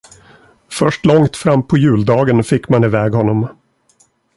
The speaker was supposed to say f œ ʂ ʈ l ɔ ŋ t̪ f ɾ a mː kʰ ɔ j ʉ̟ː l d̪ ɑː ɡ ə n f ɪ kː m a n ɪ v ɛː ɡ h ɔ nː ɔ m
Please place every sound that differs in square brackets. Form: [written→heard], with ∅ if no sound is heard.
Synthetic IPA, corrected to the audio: f œ ʂ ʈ l ɔ ŋ t̪ f ɾ a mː [kʰ→pʰ] ɔ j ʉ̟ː l d̪ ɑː ɡ ə n f ɪ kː m a n ɪ v ɛː ɡ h ɔ nː ɔ m